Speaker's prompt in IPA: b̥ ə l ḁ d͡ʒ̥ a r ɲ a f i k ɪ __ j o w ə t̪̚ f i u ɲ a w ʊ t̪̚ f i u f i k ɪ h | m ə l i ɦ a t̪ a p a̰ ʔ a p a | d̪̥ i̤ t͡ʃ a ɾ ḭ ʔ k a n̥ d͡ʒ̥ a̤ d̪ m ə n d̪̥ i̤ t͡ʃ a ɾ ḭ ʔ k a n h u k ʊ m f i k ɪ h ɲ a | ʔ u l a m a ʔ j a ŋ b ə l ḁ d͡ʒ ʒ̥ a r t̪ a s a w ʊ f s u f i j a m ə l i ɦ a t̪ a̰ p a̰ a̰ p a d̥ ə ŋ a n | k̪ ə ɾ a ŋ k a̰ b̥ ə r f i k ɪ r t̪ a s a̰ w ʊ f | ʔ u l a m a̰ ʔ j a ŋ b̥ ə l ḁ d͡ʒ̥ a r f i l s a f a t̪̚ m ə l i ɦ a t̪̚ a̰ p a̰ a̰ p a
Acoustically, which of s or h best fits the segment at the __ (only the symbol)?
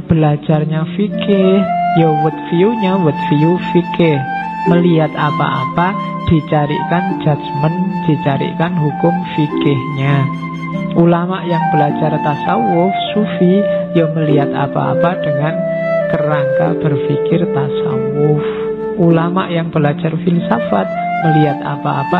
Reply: h